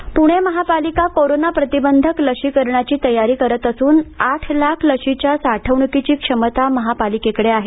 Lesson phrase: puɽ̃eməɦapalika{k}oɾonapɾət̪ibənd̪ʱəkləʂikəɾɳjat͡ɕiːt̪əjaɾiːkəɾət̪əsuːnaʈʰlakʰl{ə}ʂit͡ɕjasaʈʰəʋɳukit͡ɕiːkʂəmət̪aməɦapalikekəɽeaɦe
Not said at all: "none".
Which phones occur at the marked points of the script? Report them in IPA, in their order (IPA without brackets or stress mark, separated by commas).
k, ə